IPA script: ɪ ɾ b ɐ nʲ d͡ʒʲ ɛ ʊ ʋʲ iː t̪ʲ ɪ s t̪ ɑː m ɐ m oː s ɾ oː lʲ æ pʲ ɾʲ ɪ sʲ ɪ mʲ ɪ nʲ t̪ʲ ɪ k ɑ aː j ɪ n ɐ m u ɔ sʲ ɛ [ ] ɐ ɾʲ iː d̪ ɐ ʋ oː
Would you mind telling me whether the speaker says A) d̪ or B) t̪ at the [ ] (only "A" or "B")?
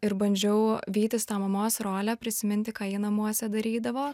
A